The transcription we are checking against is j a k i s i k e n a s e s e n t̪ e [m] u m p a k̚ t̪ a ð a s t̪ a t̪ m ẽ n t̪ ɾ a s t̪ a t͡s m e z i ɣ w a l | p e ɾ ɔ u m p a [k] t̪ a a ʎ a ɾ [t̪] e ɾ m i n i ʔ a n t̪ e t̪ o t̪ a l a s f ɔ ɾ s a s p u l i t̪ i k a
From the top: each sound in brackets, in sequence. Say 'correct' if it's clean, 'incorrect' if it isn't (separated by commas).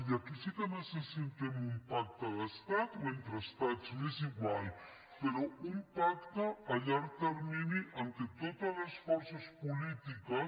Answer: correct, correct, correct